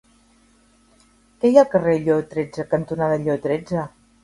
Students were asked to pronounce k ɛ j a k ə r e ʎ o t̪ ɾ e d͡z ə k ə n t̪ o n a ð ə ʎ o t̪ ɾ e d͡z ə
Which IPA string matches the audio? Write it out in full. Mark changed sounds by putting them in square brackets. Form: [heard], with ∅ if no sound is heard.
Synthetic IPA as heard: k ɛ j a k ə r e ʎ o t̪ ɾ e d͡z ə k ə n t̪ [u] n a ð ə ʎ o t̪ ɾ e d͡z ə